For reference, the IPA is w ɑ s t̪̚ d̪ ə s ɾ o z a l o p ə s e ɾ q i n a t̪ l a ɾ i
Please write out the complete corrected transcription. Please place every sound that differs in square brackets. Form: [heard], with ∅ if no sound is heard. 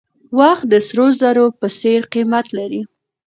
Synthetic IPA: w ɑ [x] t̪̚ d̪ ə s ɾ o z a [ɾ] o p ə s e ɾ q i [m] a t̪ l a ɾ i